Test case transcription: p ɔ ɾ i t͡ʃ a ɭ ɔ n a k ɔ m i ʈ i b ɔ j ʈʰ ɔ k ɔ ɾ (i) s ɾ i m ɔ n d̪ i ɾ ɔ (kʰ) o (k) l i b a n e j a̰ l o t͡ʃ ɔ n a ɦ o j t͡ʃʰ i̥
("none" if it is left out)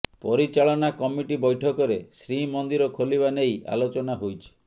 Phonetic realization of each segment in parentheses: e, kʰ, none

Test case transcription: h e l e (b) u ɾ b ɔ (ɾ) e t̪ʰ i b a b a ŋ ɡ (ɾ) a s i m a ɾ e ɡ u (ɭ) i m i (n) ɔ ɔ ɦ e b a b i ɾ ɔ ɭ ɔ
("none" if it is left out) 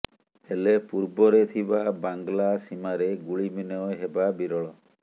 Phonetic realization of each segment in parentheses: p, ɾ, l, ɭ, n

